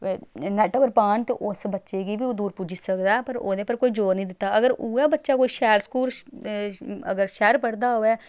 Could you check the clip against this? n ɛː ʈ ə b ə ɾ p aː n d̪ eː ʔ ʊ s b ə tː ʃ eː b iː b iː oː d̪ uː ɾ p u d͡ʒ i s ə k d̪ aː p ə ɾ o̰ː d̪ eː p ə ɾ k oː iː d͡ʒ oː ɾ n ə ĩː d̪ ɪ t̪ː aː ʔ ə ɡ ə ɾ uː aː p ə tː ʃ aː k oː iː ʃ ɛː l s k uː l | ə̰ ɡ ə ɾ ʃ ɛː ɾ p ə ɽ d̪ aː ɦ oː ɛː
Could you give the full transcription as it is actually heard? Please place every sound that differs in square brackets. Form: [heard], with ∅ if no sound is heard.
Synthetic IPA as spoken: n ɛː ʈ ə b ə ɾ p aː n [t̪] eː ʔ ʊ s b ə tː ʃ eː [ɡ] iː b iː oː d̪ uː ɾ p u d͡ʒ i s ə k d̪ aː p ə ɾ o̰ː d̪ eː p ə ɾ k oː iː d͡ʒ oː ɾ n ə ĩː d̪ ɪ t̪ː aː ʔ ə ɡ ə ɾ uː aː [b] ə tː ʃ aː k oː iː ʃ ɛː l s k uː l | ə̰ ɡ ə ɾ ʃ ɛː ɾ p ə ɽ d̪ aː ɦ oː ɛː